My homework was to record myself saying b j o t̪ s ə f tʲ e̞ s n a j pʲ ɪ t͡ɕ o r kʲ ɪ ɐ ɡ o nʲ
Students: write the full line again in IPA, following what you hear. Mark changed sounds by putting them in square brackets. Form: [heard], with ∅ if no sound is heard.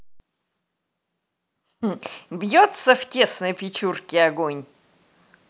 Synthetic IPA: b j o t̪ s ə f tʲ e̞ s n [ə] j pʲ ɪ t͡ɕ [u] r kʲ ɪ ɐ ɡ o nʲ